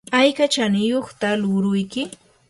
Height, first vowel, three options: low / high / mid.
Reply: low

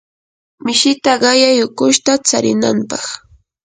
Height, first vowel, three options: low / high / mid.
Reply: high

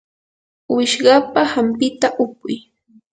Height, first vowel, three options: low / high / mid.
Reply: high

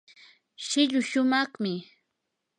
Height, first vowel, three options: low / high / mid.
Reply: high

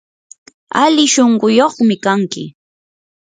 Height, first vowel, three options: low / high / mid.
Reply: low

